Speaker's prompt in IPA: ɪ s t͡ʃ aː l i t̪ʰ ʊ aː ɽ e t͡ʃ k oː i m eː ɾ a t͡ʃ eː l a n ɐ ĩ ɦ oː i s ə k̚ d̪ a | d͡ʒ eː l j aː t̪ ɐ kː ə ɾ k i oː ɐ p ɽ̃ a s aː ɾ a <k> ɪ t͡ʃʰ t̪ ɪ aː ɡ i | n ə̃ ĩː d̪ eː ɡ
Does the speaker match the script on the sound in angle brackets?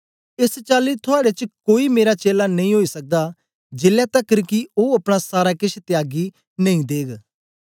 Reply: yes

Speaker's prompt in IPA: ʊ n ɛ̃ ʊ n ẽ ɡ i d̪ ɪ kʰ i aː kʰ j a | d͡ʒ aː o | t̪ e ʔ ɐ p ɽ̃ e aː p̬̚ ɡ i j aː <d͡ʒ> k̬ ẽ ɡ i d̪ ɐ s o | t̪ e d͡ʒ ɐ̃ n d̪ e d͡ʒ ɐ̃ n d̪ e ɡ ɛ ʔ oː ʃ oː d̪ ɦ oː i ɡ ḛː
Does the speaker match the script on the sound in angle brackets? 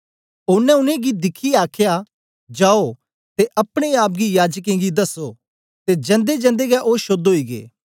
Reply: yes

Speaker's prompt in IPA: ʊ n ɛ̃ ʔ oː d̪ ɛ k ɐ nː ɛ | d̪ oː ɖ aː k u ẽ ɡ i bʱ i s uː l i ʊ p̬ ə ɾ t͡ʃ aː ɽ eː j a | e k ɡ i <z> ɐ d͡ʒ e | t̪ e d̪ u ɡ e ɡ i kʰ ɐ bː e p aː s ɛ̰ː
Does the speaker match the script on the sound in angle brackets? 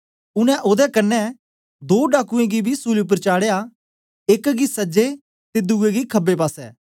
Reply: no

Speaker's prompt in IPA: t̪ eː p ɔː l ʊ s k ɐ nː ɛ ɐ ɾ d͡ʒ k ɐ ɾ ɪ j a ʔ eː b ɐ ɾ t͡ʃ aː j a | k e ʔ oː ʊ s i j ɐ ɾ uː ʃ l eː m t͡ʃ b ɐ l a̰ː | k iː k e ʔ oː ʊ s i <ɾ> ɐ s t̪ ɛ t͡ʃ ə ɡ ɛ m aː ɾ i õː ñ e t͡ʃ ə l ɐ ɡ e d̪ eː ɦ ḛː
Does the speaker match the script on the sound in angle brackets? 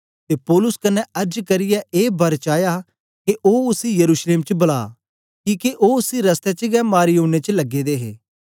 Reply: yes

